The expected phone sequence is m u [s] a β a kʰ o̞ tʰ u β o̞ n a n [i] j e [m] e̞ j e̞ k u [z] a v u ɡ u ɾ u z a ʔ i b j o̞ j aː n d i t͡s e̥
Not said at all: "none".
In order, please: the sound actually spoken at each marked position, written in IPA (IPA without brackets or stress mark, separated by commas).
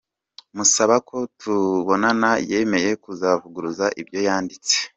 s, a, m, z